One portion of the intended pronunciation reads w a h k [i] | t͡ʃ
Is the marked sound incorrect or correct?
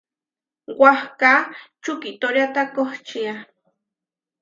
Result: incorrect